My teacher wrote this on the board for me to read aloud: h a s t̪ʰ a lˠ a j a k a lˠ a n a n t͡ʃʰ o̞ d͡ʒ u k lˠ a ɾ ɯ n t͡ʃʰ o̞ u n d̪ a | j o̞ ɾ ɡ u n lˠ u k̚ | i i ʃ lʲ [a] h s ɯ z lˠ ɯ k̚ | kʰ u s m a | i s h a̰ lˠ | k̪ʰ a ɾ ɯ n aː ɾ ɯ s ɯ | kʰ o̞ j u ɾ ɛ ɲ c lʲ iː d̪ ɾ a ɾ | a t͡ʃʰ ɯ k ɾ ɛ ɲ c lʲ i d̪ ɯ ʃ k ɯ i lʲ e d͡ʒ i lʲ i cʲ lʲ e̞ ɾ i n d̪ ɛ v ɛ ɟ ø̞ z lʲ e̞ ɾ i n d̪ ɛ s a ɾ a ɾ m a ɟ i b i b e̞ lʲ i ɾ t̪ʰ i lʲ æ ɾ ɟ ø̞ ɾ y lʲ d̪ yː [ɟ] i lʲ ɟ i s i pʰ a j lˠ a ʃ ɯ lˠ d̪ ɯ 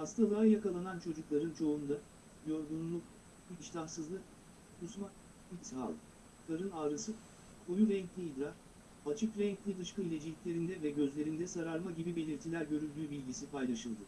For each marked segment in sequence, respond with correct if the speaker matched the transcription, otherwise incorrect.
correct, incorrect: b

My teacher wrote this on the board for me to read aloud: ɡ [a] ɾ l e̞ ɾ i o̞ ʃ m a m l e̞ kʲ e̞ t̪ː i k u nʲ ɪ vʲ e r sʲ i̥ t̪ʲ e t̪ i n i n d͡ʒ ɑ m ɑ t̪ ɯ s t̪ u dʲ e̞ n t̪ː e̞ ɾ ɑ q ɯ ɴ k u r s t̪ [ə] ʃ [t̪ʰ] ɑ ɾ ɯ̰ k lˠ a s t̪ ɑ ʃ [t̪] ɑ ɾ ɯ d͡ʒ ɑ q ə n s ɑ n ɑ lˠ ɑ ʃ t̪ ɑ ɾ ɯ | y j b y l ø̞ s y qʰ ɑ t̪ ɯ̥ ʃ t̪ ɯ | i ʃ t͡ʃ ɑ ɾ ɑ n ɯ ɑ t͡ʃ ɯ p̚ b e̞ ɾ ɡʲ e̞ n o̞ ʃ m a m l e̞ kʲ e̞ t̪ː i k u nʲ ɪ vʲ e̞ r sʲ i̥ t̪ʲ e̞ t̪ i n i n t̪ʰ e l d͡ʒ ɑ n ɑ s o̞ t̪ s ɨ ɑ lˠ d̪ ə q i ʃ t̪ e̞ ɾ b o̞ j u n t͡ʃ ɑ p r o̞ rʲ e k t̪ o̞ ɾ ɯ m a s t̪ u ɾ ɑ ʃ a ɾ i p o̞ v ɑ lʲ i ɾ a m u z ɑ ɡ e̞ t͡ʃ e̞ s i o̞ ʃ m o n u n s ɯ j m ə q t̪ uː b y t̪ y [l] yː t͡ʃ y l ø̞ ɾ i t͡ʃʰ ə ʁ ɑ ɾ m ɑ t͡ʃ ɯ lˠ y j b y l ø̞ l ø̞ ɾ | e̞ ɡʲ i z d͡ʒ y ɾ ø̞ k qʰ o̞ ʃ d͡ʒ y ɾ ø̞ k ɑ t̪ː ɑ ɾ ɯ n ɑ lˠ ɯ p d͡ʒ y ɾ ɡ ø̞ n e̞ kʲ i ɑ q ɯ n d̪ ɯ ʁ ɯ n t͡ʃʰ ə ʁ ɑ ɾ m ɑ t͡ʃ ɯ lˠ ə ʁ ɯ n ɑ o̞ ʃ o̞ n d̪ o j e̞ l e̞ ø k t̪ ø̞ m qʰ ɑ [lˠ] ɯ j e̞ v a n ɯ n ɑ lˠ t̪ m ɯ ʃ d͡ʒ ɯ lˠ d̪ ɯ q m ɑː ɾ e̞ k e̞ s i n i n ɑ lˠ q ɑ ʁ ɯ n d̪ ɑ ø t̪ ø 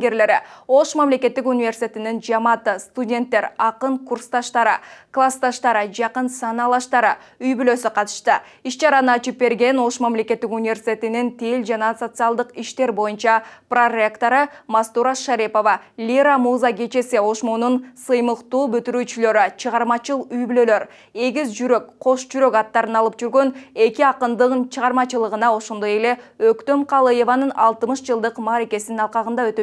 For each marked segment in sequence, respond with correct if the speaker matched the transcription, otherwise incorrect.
incorrect: e, incorrect: ɑ, incorrect: t̪, correct, incorrect: ɾ, correct

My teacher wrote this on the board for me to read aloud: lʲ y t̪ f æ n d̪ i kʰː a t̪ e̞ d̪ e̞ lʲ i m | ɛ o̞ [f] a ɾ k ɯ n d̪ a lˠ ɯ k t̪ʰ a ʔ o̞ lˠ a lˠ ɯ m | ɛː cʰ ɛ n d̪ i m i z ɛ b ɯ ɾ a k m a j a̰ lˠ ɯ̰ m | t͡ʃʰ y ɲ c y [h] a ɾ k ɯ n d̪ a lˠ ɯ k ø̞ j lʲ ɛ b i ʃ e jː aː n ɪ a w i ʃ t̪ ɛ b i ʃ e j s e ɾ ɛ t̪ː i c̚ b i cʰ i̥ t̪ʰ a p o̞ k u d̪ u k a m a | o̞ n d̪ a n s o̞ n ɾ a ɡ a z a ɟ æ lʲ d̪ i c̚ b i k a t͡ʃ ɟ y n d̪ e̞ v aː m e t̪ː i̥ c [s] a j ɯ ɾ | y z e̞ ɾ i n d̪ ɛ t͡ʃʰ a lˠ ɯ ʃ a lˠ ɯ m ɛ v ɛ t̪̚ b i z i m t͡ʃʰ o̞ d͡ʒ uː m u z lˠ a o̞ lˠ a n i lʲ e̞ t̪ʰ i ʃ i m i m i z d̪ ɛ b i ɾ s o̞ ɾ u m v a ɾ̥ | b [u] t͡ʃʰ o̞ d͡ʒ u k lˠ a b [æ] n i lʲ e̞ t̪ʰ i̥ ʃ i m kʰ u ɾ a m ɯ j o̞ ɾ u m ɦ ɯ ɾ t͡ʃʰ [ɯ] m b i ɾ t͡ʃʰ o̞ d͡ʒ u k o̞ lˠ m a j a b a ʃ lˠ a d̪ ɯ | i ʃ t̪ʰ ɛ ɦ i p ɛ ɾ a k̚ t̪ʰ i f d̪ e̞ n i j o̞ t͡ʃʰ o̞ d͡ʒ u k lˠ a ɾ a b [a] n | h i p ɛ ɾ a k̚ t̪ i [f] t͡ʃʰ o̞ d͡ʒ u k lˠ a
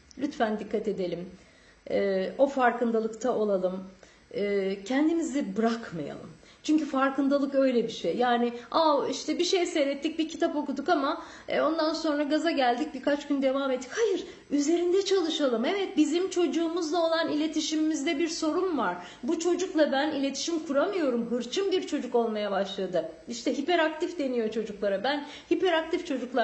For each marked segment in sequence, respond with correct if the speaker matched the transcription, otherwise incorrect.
correct, incorrect: f, incorrect: h, correct, correct, correct, incorrect: æ, correct

